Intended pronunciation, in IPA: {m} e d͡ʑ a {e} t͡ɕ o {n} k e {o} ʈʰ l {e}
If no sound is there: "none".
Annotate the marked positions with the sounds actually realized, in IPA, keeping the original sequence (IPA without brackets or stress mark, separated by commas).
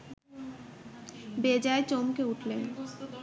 b, e, m, u, e